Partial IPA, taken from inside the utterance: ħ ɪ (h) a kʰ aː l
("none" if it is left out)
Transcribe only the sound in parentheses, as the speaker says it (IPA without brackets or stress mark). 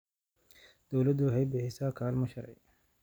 s